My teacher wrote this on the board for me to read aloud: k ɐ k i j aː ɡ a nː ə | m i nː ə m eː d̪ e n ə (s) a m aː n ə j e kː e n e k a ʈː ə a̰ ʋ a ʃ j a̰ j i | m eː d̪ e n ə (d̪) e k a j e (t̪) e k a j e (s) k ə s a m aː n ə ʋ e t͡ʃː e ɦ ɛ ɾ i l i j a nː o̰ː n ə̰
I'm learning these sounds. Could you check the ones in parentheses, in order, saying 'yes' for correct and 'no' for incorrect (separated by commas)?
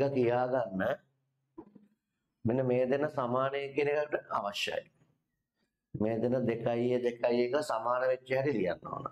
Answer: yes, yes, no, no